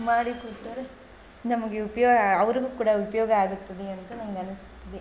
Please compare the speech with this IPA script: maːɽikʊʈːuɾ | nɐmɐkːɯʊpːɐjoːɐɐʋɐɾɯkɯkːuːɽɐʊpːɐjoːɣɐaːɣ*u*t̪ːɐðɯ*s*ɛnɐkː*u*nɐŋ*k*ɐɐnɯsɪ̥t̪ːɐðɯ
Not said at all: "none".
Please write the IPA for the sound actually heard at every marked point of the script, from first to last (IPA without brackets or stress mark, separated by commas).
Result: ɯ, none, ɯ, ɡ